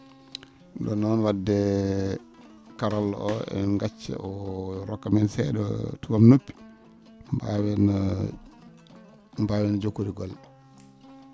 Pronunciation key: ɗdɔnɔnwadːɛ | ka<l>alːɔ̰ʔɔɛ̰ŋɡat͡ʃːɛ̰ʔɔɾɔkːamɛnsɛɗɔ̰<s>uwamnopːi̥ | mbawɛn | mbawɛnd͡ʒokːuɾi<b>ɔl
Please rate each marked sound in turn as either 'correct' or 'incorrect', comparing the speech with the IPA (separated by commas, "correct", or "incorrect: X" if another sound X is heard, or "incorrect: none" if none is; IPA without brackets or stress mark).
incorrect: ɾ, incorrect: t, incorrect: ɡ